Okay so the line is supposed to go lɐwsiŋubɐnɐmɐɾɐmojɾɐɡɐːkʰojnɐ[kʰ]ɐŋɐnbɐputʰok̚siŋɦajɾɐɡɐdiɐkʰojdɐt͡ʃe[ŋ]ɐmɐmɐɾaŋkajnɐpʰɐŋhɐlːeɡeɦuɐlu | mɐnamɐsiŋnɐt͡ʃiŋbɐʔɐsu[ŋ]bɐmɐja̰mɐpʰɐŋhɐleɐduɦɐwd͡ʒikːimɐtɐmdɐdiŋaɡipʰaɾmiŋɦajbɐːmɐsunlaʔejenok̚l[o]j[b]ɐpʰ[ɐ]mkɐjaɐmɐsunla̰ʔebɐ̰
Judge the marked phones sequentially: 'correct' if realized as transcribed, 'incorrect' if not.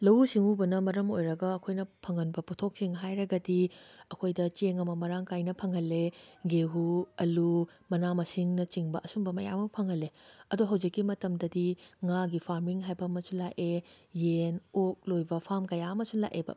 incorrect: pʰ, correct, incorrect: m, correct, correct, incorrect: a

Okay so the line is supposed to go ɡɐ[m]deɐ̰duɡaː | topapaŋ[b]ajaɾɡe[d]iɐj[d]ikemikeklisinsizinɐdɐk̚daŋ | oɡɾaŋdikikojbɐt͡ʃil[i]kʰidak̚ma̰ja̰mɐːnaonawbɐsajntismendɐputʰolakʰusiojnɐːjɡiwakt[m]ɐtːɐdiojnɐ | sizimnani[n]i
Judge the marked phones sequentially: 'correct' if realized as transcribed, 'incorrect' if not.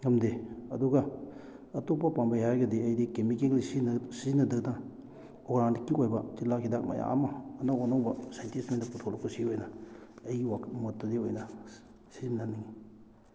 correct, correct, correct, correct, incorrect: a, correct, incorrect: ŋ

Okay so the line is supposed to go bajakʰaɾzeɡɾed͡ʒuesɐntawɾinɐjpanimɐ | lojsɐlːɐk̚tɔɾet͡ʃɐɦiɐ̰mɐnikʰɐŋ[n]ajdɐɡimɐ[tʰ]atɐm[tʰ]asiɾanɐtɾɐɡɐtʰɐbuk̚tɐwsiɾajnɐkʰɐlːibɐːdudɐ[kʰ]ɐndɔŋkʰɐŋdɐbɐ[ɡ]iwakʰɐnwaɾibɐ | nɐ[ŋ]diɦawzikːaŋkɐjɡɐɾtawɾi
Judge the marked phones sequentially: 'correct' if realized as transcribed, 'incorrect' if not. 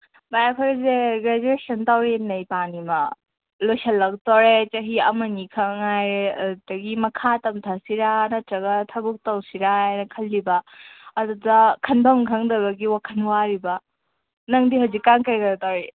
incorrect: ŋ, incorrect: kʰ, correct, correct, correct, correct

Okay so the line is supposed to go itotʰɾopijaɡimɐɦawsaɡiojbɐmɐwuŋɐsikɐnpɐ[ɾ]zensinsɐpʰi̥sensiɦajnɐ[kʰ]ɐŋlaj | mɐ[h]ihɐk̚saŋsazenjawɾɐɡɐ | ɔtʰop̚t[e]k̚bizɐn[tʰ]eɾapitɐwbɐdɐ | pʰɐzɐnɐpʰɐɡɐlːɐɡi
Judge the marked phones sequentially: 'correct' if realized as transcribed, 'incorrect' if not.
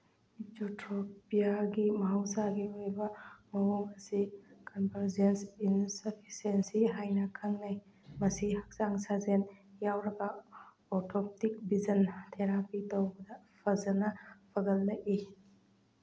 correct, correct, incorrect: s, incorrect: i, correct

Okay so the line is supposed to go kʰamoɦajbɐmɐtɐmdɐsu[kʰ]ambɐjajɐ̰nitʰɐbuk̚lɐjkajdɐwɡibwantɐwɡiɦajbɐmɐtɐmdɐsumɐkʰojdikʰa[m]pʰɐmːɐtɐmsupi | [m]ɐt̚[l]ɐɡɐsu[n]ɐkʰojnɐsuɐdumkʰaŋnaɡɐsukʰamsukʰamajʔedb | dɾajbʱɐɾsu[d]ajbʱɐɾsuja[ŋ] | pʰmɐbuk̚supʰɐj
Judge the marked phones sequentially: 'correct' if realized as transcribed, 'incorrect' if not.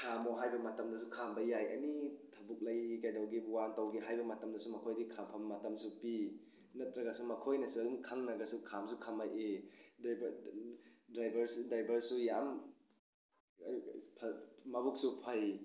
correct, correct, incorrect: n, incorrect: ɾ, incorrect: m, correct, incorrect: m

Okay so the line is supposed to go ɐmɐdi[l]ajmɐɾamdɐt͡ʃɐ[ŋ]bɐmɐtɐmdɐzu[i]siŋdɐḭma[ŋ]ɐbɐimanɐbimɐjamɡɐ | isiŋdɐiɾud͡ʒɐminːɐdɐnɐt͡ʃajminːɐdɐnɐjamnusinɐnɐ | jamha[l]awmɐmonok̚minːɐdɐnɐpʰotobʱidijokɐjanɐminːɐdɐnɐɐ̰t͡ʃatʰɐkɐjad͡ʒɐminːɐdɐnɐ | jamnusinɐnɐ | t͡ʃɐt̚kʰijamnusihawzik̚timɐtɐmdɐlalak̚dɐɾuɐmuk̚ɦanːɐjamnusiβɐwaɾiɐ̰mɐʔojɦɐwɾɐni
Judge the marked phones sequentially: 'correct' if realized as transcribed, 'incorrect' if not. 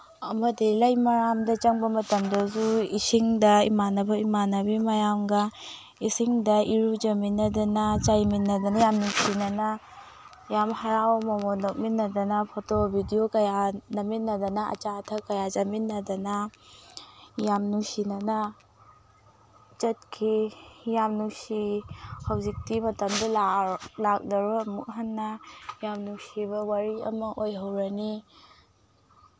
correct, correct, correct, incorrect: n, incorrect: ɾ

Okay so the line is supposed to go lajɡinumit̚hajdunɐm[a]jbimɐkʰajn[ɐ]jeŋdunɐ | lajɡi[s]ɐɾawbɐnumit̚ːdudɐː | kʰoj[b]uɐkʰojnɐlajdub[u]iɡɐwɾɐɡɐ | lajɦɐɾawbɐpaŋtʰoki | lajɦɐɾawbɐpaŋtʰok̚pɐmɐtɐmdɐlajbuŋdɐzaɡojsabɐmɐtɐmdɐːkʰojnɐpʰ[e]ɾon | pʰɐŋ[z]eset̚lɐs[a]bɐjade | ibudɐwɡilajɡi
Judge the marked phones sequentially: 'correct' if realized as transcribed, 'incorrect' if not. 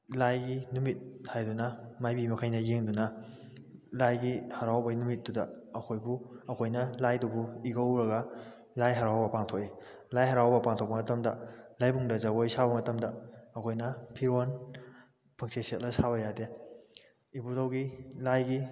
correct, correct, incorrect: h, correct, correct, incorrect: i, incorrect: s, correct

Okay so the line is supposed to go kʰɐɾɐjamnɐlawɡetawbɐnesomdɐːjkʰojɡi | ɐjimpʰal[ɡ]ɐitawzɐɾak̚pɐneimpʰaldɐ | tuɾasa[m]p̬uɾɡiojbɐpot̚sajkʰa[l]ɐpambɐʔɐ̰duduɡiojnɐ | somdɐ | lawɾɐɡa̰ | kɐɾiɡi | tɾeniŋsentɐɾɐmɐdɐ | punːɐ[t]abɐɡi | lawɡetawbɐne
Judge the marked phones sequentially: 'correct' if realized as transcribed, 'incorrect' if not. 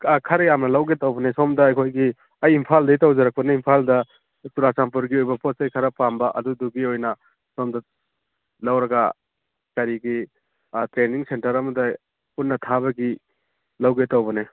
incorrect: d, correct, incorrect: ɾ, incorrect: tʰ

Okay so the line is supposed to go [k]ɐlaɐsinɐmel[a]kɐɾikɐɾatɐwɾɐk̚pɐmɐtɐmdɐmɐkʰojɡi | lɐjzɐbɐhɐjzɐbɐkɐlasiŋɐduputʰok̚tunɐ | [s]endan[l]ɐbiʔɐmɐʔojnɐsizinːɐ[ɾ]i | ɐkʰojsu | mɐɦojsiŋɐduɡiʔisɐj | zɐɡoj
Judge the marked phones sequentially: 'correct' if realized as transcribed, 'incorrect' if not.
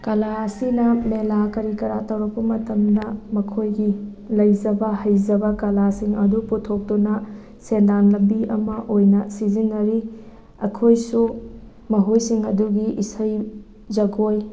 correct, correct, correct, correct, correct

